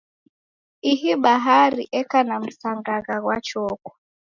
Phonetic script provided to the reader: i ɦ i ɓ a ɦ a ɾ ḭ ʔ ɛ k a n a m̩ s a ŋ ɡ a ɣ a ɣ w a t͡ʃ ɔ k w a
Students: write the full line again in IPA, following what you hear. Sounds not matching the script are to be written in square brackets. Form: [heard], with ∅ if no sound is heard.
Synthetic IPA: i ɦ i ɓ a ɦ a ɾ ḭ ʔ ɛ k a n a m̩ s a ŋ ɡ a ɣ a ɣ w a t͡ʃ ɔ k w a